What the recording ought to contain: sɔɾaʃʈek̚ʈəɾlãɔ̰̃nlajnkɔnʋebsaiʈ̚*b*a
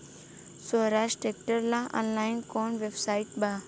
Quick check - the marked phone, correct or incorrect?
correct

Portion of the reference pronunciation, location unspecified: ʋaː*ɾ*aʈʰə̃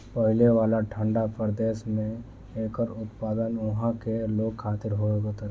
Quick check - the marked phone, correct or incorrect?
incorrect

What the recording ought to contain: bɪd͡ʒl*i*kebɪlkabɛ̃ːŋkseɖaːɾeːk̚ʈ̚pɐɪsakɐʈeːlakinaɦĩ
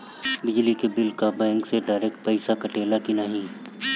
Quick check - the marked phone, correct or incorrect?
correct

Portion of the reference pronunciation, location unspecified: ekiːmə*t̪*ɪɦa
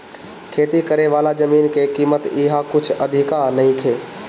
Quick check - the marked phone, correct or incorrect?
correct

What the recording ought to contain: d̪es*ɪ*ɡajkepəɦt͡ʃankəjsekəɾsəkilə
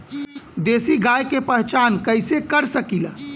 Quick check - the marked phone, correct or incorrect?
incorrect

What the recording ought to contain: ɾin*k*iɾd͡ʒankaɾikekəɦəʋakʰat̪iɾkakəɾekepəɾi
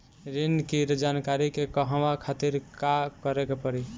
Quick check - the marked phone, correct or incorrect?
correct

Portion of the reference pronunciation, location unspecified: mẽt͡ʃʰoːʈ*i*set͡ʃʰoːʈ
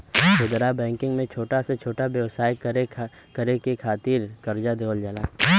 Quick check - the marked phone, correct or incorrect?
incorrect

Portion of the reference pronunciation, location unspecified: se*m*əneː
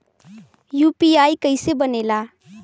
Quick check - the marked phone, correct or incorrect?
incorrect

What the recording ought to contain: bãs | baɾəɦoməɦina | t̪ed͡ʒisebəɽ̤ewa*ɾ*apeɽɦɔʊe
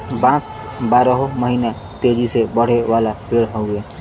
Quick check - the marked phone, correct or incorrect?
incorrect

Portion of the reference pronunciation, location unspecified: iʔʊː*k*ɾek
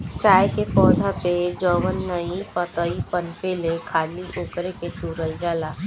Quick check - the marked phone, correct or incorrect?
correct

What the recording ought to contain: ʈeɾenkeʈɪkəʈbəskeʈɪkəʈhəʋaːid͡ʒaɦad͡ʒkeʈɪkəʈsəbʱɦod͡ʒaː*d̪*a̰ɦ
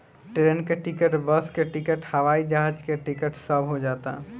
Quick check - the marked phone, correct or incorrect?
incorrect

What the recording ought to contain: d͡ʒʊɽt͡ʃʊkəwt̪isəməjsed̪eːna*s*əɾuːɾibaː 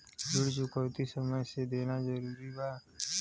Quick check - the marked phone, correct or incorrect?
incorrect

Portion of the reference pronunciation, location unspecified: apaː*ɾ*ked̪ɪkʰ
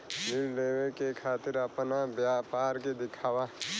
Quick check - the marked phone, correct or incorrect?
correct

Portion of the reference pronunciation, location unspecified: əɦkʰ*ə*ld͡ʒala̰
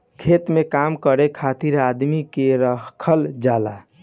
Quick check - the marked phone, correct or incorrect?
correct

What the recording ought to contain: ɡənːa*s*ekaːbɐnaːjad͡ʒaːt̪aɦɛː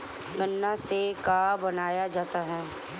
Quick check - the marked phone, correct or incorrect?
correct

